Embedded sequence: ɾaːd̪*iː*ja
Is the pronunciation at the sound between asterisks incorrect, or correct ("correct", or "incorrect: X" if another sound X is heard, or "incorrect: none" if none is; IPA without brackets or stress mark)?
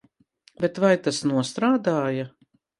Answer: incorrect: aː